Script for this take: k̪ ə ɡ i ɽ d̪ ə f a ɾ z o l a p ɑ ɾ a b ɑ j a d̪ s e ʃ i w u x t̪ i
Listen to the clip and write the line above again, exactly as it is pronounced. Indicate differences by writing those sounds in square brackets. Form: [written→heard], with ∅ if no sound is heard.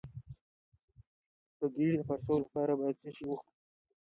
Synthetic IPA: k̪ ə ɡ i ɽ d̪ ə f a ɾ [z→s] o l a p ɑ ɾ a b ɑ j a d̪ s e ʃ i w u x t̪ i